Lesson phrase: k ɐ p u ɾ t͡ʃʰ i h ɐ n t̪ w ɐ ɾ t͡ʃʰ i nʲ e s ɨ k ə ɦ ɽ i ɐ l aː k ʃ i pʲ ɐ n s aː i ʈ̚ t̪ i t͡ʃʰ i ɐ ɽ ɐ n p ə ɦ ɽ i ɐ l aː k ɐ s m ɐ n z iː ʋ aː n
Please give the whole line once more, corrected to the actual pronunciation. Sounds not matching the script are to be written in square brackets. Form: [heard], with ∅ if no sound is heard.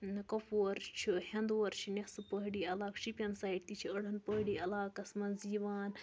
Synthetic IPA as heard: k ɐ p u ɾ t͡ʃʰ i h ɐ n [d̪] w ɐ ɾ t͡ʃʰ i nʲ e s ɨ [p] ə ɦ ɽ i ɐ l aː k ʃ i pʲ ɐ n s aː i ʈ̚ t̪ i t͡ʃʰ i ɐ ɽ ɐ n p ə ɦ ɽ i ɐ l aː k ɐ s m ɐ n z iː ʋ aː n

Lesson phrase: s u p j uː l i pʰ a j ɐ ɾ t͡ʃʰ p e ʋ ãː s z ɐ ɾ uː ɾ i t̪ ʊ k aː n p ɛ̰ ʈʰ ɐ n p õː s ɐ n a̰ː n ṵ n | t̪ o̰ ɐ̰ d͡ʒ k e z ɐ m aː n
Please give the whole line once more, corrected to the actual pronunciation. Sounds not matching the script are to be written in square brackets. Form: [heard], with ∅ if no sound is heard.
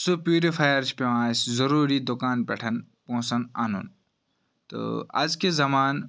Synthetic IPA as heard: s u p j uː [ɾ] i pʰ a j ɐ ɾ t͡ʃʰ p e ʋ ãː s z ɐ ɾ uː ɾ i [d̪] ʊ k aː n p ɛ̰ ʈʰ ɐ n p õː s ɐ n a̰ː n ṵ n | t̪ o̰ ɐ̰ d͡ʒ k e z ɐ m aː n

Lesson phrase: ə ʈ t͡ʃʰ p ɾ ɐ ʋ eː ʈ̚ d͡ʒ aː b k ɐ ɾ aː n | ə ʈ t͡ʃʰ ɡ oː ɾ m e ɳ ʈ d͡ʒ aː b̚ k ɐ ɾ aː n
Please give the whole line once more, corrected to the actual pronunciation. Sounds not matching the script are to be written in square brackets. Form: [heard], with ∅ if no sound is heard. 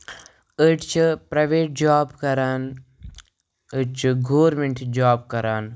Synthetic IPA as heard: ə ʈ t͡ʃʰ p ɾ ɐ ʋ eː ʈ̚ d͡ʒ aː b k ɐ ɾ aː n | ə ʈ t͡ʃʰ ɡ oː ɾ m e ɳ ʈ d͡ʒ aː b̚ k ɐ ɾ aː n

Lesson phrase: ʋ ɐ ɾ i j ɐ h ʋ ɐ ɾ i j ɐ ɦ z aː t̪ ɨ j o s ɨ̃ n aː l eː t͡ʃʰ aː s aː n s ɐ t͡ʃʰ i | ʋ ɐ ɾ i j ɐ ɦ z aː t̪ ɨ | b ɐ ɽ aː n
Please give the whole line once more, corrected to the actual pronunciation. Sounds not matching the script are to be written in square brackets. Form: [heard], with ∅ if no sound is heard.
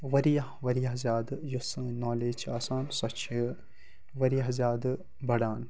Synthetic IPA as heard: ʋ ɐ ɾ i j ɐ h ʋ ɐ ɾ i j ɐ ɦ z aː [d̪] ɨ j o s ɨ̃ n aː l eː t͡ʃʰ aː s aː n s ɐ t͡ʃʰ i | ʋ ɐ ɾ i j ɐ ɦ z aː [d̪] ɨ | b ɐ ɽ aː n

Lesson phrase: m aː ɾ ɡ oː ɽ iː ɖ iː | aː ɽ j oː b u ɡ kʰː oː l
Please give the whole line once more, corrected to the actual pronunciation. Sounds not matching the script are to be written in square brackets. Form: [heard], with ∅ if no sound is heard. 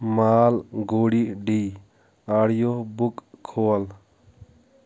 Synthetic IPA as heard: m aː [l] ɡ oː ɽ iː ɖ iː | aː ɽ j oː b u [k] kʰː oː l

